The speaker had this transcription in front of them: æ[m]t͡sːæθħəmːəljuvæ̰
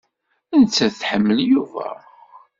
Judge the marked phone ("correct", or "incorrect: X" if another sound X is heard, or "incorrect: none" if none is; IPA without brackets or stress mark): incorrect: n